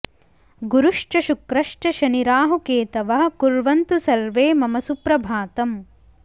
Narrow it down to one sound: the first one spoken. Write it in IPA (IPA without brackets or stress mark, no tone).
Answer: ɡ